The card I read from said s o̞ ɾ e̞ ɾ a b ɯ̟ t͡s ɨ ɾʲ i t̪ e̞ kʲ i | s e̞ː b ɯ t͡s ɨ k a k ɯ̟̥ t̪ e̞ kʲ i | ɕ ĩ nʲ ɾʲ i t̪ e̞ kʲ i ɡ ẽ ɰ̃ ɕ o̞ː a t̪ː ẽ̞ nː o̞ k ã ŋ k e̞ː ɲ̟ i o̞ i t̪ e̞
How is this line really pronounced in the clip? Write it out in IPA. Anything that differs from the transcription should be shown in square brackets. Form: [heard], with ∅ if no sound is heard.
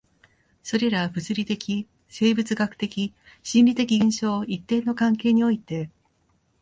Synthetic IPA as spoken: s o̞ ɾ e̞ ɾ a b ɯ̟ t͡s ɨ ɾʲ i t̪ e̞ kʲ i | s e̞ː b ɯ t͡s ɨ [ɡ] a k ɯ̟̥ t̪ e̞ kʲ i | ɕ ĩ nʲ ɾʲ i t̪ e̞ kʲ i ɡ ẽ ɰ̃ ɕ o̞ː [i] t̪ː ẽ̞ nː o̞ k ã ŋ k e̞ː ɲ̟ i o̞ i t̪ e̞